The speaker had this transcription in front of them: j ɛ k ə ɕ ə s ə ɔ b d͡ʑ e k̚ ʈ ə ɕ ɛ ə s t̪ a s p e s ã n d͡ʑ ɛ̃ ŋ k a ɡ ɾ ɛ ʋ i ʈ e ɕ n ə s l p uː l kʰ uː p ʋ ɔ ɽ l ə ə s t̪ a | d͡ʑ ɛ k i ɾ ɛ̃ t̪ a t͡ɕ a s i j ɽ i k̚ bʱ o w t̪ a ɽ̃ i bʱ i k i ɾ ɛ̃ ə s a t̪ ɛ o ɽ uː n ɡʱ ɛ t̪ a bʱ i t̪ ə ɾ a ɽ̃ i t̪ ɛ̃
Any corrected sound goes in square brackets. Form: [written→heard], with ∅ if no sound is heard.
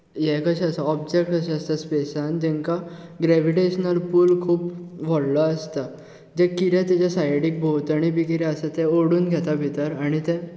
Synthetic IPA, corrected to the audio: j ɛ k ə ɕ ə s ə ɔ b d͡ʑ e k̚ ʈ ə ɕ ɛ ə s t̪ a s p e s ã n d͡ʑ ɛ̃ ŋ k a ɡ ɾ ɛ ʋ i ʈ e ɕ n ə [s→∅] l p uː l kʰ uː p ʋ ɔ ɽ l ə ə s t̪ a | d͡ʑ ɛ k i ɾ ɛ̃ t̪ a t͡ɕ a s [i→a] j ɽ i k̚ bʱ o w t̪ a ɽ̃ i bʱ i k i ɾ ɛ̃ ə s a t̪ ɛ o ɽ uː n ɡʱ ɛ t̪ a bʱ i t̪ ə ɾ a ɽ̃ i t̪ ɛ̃